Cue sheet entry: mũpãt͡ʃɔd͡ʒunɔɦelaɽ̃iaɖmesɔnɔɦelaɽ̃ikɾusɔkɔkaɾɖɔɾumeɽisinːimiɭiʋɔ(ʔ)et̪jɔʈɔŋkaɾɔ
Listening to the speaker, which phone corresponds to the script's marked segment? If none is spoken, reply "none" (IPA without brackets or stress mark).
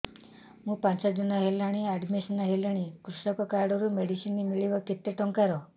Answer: k